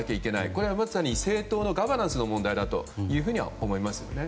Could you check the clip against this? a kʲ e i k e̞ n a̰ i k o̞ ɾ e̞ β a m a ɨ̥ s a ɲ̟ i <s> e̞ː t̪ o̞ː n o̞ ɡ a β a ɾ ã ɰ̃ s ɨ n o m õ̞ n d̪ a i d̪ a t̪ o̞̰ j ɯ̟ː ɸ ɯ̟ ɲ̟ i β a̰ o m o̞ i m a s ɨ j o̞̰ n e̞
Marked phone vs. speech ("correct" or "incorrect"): correct